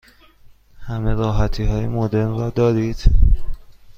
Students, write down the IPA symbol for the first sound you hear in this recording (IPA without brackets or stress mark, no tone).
h